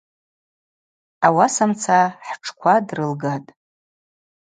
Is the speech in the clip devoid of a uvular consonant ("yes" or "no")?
yes